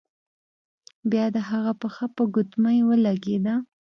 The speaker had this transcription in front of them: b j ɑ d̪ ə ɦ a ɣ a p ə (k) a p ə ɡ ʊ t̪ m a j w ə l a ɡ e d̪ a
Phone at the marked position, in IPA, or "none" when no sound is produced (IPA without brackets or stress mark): x